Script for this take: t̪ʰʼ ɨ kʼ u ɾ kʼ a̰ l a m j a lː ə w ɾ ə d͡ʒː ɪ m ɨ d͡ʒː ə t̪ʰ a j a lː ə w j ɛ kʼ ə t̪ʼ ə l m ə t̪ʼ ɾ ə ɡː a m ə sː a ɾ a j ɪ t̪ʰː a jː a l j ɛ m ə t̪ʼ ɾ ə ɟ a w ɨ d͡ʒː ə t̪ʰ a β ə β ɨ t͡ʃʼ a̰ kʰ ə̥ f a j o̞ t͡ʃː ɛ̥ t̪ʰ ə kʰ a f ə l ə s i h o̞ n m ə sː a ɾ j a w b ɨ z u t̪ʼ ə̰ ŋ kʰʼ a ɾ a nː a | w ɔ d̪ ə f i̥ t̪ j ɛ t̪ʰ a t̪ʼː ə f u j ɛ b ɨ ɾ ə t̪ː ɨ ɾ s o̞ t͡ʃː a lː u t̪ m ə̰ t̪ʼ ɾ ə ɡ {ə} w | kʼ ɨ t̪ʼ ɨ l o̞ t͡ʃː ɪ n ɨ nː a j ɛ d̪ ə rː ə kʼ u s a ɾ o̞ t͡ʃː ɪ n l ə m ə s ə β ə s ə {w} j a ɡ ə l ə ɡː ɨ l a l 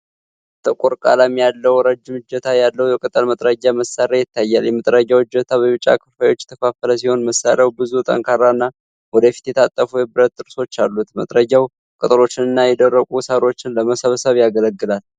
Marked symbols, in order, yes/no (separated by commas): no, no